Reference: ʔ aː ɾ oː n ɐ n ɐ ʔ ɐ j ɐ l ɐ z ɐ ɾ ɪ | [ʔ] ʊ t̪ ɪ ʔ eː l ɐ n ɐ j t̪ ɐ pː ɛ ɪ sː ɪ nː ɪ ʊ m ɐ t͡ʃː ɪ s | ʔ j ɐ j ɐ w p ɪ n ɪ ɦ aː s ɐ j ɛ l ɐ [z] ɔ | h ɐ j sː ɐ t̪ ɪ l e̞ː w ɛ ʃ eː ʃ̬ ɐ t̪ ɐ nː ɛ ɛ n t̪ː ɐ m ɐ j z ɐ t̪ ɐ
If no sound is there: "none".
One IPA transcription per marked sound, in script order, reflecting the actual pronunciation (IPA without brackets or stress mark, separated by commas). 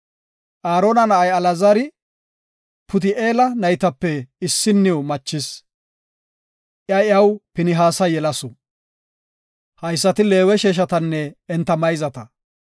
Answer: p, s